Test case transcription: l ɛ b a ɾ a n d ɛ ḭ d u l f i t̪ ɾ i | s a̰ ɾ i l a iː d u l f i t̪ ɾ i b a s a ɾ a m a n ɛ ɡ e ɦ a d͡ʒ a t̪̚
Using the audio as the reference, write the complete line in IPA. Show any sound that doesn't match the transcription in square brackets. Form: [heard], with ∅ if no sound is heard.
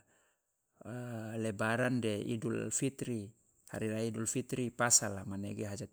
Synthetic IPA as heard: l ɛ b a ɾ a n d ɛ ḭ d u l f i t̪ ɾ i | [h] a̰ ɾ i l a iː d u l f i t̪ ɾ i [p] a s a [l] a m a n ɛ ɡ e ɦ a d͡ʒ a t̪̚